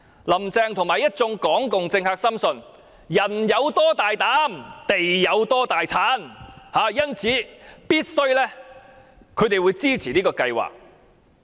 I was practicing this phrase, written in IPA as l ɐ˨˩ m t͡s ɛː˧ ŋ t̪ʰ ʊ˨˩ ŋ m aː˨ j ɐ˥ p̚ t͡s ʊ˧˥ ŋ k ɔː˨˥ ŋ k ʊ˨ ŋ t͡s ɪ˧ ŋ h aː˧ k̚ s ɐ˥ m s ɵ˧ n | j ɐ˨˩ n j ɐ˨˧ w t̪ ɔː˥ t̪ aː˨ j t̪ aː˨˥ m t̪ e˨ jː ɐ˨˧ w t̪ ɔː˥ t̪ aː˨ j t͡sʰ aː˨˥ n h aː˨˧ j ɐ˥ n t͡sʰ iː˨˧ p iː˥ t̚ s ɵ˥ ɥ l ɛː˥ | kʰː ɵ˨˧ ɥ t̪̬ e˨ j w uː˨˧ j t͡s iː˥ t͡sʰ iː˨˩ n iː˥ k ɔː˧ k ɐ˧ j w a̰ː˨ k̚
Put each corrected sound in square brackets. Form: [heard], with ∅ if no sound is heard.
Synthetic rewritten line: l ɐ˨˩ m t͡s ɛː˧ ŋ t̪ʰ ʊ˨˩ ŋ m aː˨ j ɐ˥ [t̚] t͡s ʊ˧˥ ŋ k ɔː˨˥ ŋ k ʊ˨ ŋ t͡s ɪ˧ ŋ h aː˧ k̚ s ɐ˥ m s ɵ˧ n | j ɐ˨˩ n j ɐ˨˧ w t̪ ɔː˥ t̪ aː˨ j t̪ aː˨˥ m t̪ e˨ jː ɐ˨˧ w t̪ ɔː˥ t̪ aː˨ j t͡sʰ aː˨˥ n h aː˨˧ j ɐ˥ n t͡sʰ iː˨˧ p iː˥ t̚ s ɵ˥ ɥ l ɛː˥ | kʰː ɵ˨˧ ɥ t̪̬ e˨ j w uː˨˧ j t͡s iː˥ t͡sʰ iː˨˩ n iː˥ k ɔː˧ k ɐ˧ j w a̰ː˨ k̚

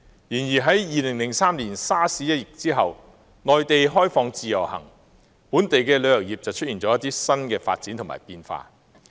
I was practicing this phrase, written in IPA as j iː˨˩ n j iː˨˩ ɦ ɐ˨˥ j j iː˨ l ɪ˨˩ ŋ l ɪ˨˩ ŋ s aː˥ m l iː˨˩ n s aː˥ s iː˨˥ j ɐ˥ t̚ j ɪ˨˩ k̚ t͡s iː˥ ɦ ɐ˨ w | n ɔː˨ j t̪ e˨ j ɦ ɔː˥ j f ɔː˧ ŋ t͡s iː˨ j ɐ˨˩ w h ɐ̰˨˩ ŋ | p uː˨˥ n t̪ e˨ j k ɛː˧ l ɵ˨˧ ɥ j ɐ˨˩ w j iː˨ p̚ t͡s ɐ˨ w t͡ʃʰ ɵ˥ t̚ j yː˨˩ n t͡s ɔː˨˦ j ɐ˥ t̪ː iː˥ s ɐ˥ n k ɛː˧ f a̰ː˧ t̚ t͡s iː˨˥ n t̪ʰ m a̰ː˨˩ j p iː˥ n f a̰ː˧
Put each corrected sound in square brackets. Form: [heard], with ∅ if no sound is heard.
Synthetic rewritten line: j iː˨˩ n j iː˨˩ ɦ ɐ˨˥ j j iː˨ l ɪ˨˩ ŋ l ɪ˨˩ ŋ s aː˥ m l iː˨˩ n s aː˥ s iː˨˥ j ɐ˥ t̚ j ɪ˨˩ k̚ t͡s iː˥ ɦ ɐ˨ w | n ɔː˨ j t̪ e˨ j ɦ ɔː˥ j f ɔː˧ ŋ t͡s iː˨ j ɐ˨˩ w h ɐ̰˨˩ ŋ | p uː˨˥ n t̪ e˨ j k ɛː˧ l ɵ˨˧ ɥ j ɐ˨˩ w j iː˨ p̚ t͡s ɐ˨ w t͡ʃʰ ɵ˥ t̚ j [iː˨˩] n t͡s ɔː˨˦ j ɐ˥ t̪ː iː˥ s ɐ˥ n k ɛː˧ f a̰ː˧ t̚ t͡s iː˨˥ n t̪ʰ m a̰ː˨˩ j p [iː˧] n f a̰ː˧

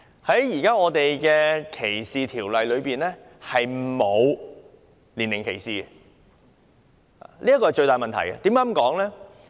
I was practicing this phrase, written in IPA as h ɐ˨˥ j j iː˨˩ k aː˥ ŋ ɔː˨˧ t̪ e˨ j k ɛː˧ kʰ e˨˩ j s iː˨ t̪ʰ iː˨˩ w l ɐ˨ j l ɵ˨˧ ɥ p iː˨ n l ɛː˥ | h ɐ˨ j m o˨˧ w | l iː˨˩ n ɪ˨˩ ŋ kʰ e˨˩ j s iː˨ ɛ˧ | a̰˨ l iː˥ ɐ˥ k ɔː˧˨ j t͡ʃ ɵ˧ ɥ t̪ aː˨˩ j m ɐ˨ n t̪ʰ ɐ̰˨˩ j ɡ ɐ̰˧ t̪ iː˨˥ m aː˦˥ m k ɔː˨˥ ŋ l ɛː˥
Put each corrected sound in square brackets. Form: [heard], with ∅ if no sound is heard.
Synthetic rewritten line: h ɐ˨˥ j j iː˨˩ k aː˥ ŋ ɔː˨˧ t̪ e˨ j k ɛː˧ kʰ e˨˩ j s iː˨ t̪ʰ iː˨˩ w l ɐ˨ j l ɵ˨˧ ɥ p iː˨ n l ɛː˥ | h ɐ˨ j m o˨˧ w | l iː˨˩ n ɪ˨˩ ŋ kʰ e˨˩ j s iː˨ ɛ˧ | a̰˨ l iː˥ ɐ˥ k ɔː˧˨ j t͡ʃ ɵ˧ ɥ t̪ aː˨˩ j m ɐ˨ n t̪ʰ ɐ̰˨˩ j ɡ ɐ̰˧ t̪ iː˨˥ m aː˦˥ m k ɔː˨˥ ŋ l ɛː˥

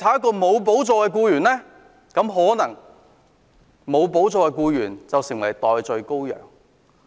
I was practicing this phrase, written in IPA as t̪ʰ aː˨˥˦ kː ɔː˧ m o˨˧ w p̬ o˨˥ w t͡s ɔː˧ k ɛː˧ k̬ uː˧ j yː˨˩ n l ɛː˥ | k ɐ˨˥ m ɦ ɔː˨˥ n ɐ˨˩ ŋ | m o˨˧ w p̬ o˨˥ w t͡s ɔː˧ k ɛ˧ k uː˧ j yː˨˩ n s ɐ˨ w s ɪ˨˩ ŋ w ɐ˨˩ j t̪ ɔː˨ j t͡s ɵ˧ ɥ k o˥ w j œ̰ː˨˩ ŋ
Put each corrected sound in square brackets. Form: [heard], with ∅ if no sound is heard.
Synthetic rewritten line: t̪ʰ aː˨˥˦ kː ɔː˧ m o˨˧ w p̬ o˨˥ w t͡s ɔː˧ k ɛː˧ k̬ uː˧ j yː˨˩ n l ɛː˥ | k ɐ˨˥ m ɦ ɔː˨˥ n ɐ˨˩ ŋ | m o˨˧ w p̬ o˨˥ w t͡s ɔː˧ k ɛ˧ k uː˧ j yː˨˩ n [t͡s] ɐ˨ w s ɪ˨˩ ŋ w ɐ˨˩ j t̪ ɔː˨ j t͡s ɵ˧ ɥ k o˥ w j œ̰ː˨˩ ŋ

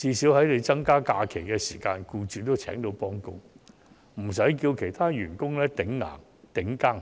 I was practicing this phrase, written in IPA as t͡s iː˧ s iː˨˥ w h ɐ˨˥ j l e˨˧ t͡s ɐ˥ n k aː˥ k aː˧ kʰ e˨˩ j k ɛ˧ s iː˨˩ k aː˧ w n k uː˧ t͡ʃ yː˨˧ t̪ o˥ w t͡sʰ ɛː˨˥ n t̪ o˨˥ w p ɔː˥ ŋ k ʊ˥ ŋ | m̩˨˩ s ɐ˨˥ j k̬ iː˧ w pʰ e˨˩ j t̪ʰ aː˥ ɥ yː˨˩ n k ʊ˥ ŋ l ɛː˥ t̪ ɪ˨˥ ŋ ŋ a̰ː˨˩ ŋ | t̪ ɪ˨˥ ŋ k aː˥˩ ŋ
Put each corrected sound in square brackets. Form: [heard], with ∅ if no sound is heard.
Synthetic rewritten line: t͡s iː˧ s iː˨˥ w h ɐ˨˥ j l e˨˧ t͡s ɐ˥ [ŋ] k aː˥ k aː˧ kʰ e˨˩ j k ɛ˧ s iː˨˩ k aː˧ [∅] n k uː˧ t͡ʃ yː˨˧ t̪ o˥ w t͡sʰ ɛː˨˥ [ŋ] t̪ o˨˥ w p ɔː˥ ŋ k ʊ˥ ŋ | m̩˨˩ s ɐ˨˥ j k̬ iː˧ w [kʰ] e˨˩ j t̪ʰ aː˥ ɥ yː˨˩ n k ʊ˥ ŋ l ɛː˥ t̪ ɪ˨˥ ŋ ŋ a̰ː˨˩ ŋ | t̪ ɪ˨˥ ŋ k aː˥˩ ŋ

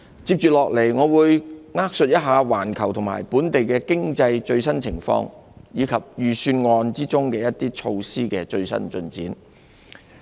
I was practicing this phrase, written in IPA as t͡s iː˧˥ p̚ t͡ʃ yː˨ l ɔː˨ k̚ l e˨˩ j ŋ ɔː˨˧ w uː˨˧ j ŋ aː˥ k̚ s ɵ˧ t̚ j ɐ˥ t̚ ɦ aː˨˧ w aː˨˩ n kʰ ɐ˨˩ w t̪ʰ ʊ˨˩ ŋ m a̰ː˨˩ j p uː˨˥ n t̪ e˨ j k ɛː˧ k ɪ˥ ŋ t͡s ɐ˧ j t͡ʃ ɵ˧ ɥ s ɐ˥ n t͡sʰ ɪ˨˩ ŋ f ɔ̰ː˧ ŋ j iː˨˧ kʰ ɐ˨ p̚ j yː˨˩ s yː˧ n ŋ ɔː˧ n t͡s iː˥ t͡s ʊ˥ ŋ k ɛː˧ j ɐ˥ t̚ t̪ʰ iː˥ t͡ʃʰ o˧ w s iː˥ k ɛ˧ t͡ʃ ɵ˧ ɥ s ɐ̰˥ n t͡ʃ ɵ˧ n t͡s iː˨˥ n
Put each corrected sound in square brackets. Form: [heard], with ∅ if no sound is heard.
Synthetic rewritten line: t͡s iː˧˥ p̚ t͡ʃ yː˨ l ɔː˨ k̚ l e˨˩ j ŋ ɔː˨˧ w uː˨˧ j ŋ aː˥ k̚ s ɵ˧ t̚ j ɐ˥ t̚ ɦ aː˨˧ w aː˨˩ n kʰ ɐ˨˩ w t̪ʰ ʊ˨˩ ŋ m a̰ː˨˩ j p uː˨˥ n t̪ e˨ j k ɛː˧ k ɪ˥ ŋ t͡s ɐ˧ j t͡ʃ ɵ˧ ɥ s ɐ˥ n t͡sʰ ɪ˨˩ ŋ f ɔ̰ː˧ ŋ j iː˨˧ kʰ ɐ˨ p̚ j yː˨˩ s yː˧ n ŋ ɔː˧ n t͡s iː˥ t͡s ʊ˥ ŋ k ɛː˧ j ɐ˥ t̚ [t̪] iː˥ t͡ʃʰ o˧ w s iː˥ k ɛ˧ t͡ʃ ɵ˧ ɥ s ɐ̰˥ n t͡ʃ ɵ˧ n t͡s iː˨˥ n

